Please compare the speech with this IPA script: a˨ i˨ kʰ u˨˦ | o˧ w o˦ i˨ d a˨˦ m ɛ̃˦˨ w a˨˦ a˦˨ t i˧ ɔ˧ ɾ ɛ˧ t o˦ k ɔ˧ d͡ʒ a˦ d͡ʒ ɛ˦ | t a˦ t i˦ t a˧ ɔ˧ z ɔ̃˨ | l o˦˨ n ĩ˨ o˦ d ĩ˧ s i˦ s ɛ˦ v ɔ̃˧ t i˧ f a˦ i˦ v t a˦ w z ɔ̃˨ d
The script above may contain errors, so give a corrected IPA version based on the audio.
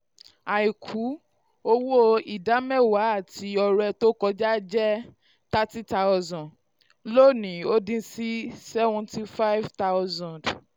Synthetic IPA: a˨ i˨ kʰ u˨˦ | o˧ w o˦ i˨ d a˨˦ m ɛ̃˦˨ w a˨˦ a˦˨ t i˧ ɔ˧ ɾ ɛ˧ t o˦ k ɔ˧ d͡ʒ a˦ d͡ʒ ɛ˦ | t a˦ t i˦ t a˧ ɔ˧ z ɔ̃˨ | l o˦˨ n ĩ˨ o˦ d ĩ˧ s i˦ s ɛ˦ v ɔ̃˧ t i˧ f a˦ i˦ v t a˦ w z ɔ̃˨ d